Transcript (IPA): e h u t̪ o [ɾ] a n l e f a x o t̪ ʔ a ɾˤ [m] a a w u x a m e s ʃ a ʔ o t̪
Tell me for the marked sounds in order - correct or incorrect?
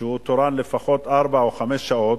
correct, incorrect

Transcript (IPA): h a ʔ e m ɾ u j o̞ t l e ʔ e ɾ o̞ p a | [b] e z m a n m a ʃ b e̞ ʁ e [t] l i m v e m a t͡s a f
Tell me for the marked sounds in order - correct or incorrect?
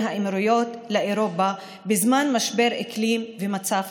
correct, incorrect

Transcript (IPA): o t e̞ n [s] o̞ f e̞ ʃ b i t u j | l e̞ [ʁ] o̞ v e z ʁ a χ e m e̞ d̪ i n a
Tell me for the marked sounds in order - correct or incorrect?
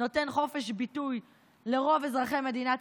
incorrect, correct

